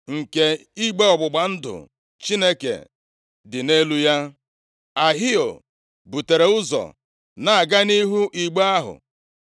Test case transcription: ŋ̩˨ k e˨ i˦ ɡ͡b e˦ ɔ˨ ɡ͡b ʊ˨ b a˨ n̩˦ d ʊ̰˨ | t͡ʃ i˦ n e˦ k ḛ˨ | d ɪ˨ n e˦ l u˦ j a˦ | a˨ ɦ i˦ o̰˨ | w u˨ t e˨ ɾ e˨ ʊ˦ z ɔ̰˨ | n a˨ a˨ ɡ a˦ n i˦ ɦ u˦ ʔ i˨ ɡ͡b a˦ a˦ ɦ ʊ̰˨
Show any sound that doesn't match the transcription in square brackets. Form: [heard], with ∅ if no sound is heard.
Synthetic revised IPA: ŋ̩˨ k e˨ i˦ ɡ͡b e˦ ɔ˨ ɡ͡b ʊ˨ [ɡ͡b] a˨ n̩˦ d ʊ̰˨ | t͡ʃ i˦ n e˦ k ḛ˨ | d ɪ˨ n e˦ l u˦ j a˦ | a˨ ɦ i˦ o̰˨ | [b] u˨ t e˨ ɾ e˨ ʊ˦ z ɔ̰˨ | n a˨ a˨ ɡ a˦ n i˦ ɦ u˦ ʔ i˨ ɡ͡b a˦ a˦ ɦ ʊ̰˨

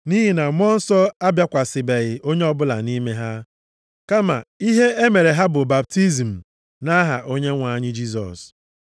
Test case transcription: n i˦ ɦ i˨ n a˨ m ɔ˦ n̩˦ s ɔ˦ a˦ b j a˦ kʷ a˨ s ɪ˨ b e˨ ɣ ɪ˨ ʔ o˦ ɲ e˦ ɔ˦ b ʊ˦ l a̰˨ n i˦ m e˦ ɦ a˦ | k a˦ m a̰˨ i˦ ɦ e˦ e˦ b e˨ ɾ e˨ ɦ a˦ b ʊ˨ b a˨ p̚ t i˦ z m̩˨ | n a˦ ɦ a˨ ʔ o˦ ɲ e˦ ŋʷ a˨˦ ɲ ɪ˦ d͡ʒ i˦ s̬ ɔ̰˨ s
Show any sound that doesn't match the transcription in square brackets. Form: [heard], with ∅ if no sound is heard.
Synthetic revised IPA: n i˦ ɦ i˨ n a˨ m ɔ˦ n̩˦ s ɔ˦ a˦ b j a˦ kʷ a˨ s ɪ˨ b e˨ ɣ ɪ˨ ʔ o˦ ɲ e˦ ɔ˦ b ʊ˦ l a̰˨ n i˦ m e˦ ɦ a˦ | k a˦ m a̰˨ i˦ ɦ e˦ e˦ [m] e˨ ɾ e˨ ɦ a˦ b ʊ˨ b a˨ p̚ t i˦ z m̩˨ | n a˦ ɦ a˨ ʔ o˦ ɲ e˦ ŋʷ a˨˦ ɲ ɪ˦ d͡ʒ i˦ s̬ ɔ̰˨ s

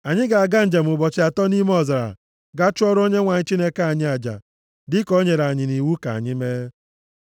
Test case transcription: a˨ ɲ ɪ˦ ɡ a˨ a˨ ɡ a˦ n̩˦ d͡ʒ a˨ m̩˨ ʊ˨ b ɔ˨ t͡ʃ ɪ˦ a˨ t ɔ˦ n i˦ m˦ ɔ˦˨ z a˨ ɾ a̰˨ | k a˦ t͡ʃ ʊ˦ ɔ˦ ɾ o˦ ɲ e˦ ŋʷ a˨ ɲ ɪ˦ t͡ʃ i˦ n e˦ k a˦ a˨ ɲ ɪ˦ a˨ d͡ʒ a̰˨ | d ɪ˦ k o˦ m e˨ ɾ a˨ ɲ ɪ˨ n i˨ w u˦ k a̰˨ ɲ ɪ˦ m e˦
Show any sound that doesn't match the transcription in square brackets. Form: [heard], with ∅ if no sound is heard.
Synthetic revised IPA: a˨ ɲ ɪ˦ ɡ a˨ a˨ ɡ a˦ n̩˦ d͡ʒ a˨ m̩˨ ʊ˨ b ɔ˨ t͡ʃ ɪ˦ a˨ t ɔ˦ n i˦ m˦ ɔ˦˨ z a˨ ɾ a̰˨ | [ɡ] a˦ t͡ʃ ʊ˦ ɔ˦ ɾ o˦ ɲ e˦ ŋʷ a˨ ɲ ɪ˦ t͡ʃ i˦ n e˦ k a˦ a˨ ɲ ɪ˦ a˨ d͡ʒ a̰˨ | d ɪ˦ k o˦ [ɲ] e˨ ɾ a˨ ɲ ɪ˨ n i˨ w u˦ k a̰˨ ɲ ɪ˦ m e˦

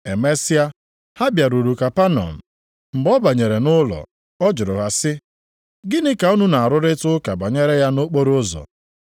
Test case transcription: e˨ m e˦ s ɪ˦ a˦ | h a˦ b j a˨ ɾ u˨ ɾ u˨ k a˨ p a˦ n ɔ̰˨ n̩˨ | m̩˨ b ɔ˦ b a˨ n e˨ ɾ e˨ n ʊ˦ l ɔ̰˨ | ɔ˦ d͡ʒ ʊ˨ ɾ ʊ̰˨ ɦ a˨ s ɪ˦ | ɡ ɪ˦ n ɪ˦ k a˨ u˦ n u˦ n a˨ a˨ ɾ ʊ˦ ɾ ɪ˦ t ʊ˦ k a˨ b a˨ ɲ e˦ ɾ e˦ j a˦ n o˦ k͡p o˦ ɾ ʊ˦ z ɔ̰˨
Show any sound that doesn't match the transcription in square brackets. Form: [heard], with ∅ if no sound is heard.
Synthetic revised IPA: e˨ m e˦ s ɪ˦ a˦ | h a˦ b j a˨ ɾ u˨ ɾ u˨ k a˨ p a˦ n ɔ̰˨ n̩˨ | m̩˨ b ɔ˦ b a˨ [ɲ] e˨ ɾ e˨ n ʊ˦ l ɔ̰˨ | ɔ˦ d͡ʒ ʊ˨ ɾ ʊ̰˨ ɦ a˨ s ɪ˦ | ɡ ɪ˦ n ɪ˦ k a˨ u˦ n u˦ n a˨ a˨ ɾ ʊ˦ ɾ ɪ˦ t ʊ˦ k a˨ b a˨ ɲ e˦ ɾ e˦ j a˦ n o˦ k͡p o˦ ɾ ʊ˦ z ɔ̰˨

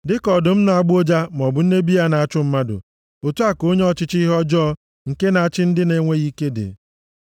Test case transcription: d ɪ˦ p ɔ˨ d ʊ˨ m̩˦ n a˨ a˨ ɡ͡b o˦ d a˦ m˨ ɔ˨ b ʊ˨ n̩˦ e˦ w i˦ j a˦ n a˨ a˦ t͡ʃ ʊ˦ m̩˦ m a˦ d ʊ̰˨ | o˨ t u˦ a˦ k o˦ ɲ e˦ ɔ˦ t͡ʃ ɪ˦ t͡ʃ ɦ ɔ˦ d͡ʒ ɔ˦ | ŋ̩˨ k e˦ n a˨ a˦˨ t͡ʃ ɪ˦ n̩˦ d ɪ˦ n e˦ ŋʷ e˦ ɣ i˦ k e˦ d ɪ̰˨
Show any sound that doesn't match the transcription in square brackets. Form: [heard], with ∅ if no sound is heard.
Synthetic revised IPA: d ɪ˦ [k] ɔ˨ d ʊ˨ m̩˦ n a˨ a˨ ɡ͡b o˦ [d͡ʒ] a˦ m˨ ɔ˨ b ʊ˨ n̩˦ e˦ [b] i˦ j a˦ n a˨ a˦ t͡ʃ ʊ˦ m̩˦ m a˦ d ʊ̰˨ | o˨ t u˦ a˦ k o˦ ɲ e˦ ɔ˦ t͡ʃ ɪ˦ t͡ʃ ɦ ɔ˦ d͡ʒ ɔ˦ | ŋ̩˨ k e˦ n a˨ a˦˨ t͡ʃ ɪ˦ n̩˦ d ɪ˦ n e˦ ŋʷ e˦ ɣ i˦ k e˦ d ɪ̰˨

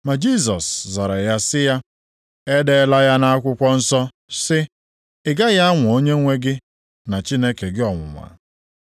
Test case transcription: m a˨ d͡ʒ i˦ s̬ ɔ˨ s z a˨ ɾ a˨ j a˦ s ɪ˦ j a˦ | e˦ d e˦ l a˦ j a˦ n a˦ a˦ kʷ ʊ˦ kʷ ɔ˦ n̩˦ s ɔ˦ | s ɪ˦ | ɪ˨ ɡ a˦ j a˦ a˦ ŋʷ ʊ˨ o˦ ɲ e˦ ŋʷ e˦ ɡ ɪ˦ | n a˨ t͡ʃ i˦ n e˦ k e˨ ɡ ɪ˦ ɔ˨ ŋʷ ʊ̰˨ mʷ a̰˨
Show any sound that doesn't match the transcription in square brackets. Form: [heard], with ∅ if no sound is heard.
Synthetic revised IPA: m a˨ d͡ʒ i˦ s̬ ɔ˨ s z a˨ ɾ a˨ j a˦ s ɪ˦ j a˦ | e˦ d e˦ l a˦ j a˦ n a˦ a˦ kʷ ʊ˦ kʷ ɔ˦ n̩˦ s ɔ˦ | s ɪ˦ | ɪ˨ ɡ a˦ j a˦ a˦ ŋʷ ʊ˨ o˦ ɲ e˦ ŋʷ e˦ ɡ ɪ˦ | n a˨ t͡ʃ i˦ n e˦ k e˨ ɡ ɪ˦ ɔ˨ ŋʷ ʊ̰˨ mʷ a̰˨

